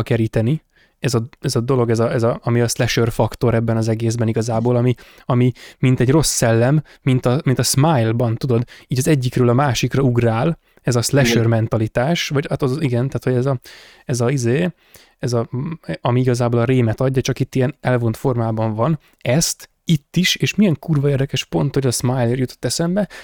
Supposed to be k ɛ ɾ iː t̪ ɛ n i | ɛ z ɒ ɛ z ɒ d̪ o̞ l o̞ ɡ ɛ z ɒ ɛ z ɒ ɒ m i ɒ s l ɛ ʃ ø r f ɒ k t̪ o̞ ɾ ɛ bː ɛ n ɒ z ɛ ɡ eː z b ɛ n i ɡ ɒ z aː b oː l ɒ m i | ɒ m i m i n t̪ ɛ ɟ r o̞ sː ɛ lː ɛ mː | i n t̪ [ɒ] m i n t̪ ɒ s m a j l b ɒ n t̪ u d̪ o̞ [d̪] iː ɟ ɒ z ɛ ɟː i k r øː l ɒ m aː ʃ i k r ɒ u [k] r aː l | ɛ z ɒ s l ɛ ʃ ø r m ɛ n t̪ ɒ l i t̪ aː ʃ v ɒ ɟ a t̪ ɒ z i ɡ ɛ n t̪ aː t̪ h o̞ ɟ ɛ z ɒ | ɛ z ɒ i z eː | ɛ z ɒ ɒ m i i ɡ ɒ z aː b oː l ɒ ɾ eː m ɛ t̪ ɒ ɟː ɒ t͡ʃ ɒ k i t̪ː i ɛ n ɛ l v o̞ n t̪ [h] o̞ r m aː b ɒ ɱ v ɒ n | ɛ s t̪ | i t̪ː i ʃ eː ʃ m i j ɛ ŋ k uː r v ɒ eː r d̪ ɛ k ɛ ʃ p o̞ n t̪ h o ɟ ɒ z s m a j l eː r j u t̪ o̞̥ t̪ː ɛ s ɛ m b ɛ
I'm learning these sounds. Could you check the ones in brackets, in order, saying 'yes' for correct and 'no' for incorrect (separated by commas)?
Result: yes, yes, no, no